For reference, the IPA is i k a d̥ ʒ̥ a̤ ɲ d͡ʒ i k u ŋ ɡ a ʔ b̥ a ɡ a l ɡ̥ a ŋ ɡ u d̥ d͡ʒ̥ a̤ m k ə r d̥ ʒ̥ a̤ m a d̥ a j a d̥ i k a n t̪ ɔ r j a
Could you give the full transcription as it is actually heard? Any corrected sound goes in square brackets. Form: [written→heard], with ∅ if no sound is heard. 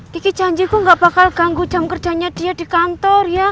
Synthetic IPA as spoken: i k [a→i] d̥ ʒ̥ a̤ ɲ d͡ʒ i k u ŋ ɡ a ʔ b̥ a [ɡ→k] a l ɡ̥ a ŋ ɡ u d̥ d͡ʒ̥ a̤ m k ə r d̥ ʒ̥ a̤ [m→ɲ] a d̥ [a→i] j a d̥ i k a n t̪ ɔ r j a

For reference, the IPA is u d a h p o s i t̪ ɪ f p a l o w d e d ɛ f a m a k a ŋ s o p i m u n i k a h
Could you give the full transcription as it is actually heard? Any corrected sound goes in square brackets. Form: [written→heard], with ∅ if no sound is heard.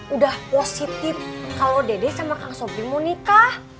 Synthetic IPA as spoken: u d a h p o s i t̪ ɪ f [p→k] a l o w d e d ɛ [f→s] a m a k a ŋ s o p i m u n i k a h

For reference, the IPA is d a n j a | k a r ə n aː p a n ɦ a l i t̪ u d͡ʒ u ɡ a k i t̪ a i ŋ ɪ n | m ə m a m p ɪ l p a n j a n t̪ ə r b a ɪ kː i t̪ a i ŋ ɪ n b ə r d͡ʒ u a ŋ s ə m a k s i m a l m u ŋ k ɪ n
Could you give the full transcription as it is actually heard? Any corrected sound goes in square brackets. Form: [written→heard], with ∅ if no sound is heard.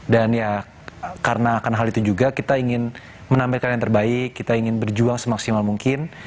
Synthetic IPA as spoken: d a n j a | k a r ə n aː [p→k] a n ɦ a l i t̪ u d͡ʒ u ɡ a k i t̪ a i ŋ ɪ n | m ə [m→n] a m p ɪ l [p→k] a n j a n t̪ ə r b a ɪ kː i t̪ a i ŋ ɪ n b ə r d͡ʒ u a ŋ s ə m a k s i m a l m u ŋ k ɪ n

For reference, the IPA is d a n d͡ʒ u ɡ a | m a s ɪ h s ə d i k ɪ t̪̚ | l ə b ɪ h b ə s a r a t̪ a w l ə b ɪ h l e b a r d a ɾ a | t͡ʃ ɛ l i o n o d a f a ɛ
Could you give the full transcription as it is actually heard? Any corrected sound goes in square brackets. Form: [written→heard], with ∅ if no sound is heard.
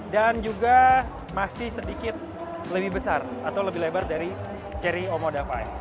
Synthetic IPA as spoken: d a n d͡ʒ u ɡ a | m a s ɪ h s ə d i k ɪ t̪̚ | l ə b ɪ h b ə s a r a t̪ a w l ə b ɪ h l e b a r d a ɾ [a→i] | t͡ʃ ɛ [l→ɾ] i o [n→m] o d a f a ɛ

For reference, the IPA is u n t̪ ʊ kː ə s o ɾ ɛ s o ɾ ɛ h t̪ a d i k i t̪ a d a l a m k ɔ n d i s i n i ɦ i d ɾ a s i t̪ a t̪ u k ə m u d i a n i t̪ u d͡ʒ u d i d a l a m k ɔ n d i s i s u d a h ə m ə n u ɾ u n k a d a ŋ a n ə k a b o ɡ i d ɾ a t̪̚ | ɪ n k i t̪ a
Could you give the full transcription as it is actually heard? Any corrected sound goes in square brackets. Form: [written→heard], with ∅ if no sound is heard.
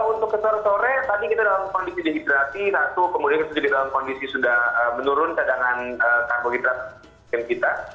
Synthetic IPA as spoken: u n t̪ ʊ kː ə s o ɾ ɛ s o ɾ ɛ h t̪ a d i k i t̪ a d a l a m k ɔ n d i s i [n→d] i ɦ i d ɾ a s i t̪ a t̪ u k ə m u d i a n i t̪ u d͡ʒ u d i d a l a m k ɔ n d i s i s u d a h ə m ə n u ɾ [u→ʊ] n k a d a ŋ a n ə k a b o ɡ i d ɾ a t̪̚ | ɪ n k i t̪ a

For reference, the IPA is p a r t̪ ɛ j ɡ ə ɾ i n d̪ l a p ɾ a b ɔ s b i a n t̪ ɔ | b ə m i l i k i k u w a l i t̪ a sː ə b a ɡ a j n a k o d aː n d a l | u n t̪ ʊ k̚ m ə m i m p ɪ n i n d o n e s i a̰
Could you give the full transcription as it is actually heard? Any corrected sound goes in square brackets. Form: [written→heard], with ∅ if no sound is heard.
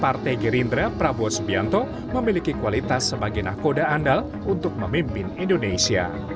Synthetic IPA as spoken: p a r t̪ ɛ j ɡ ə ɾ i n d̪ [l→ɾ] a p ɾ a b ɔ s b i a n t̪ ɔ | [b→m] ə m i l i k i k u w a l i t̪ a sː ə b a ɡ a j n a k o d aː n d a l | u n t̪ ʊ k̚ m ə m i m p ɪ n i n d o n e s i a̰

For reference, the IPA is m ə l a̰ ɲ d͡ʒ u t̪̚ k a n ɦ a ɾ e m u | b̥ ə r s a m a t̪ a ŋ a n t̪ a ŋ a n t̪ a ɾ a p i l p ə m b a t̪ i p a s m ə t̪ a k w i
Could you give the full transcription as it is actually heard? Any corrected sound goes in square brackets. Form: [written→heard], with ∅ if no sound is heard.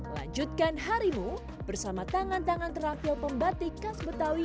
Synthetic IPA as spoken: m ə l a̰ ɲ d͡ʒ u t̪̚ k a n ɦ a ɾ [e→i] m u | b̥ ə r s a m a t̪ a ŋ a n t̪ a ŋ a n t̪ [a→ə] ɾ a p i l p ə m b a t̪ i [p→k] a s [m→b] ə t̪ a [k→∅] w i

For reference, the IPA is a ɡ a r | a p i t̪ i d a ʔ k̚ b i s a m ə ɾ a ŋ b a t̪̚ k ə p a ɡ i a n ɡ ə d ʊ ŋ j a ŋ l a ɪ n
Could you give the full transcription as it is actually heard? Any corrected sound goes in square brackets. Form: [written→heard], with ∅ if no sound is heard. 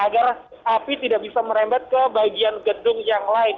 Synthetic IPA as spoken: a ɡ a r | a p i t̪ i d a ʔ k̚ b i s a m ə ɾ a [ŋ→m] b a t̪̚ k ə [p→b] a ɡ i a n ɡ ə d ʊ ŋ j a ŋ l a ɪ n

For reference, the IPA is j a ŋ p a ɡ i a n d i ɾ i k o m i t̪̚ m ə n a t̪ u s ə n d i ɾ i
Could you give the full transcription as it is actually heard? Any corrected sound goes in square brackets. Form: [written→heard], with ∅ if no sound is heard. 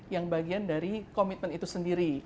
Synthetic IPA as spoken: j a ŋ [p→b] a ɡ i a n d [i→a] ɾ i k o m i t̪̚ m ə n [a→i] t̪ u s ə n d i ɾ i

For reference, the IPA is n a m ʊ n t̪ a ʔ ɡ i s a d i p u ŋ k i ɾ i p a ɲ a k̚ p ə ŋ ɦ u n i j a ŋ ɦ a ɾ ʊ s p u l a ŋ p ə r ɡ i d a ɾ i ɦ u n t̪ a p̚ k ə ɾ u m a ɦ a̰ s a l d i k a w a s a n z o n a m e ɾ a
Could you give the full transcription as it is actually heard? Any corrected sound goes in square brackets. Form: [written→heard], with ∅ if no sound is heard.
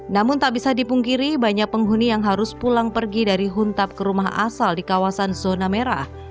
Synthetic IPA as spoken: n a m ʊ n t̪ a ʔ [ɡ→b] i s a d i p u ŋ k i ɾ i [p→b] a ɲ a k̚ p ə ŋ ɦ u n i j a ŋ ɦ a ɾ ʊ s p u l a ŋ p ə r ɡ i d a ɾ i ɦ u n t̪ a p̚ k ə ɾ u m a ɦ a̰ s a l d i k a w a s a n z o n a m e ɾ a

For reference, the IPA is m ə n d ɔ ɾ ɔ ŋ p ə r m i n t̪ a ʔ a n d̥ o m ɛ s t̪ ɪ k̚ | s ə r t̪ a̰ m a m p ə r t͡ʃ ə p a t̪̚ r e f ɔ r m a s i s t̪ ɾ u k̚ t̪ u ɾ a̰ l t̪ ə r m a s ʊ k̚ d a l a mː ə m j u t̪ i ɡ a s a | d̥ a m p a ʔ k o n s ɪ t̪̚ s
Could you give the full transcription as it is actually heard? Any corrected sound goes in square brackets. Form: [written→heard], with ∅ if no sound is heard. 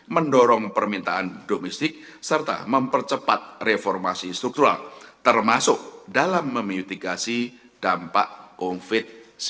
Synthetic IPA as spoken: m ə n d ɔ ɾ ɔ ŋ p ə r m i n t̪ a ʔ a n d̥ o m ɛ s t̪ ɪ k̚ | s ə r t̪ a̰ m [a→ə] m p ə r t͡ʃ ə p a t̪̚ r e f ɔ r m a s i s t̪ ɾ u k̚ t̪ u ɾ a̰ l t̪ ə r m a s ʊ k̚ d a l a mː ə m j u t̪ i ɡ a s [a→i] | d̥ a m p a ʔ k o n [s→f] ɪ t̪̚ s

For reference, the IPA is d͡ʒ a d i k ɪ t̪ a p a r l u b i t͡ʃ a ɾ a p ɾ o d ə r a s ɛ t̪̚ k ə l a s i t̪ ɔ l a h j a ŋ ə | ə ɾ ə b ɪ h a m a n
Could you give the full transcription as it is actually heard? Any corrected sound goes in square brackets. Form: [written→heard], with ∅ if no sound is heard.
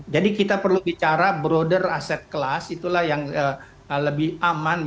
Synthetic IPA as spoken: d͡ʒ a d i k [ɪ→i] t̪ a p [a→ə] r l u b i t͡ʃ a ɾ a [p→b] ɾ o d ə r a s ɛ t̪̚ k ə l a s i t̪ [ɔ→u] l a h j a ŋ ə | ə [ɾ→l] ə b ɪ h a m a n

